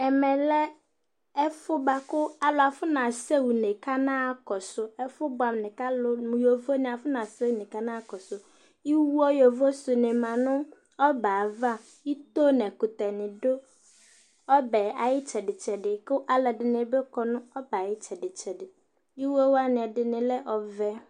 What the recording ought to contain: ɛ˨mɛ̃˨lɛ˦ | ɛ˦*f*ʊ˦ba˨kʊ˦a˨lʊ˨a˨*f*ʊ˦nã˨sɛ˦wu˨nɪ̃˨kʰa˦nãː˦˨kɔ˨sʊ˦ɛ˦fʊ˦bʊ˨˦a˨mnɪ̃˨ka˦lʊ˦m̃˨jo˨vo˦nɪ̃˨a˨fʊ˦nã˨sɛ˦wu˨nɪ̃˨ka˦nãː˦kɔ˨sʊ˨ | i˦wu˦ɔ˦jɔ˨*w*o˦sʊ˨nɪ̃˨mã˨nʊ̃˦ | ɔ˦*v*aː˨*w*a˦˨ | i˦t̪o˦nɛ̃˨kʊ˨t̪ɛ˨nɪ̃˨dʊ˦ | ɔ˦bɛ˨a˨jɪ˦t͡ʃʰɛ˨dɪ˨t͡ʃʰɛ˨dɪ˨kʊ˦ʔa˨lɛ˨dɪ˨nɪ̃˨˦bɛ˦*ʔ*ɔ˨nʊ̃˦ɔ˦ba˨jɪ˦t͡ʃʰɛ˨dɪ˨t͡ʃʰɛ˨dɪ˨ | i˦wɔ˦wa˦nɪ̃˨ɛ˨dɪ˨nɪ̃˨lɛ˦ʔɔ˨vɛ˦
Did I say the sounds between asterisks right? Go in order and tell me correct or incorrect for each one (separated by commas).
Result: correct, correct, incorrect, incorrect, incorrect, incorrect